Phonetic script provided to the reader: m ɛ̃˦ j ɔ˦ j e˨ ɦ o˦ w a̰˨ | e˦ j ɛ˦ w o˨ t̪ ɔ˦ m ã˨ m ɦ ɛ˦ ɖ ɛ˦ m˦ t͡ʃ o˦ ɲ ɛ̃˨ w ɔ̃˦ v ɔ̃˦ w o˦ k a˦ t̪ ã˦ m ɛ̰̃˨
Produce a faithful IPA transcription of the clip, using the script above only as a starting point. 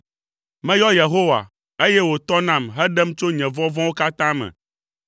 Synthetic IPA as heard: m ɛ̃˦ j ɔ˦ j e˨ ɦ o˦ w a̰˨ | e˦ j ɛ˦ w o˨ t̪ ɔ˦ n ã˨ m ɦ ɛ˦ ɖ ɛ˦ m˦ t͡ʃ o˦ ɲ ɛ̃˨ v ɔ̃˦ v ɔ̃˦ w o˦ k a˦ t̪ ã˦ m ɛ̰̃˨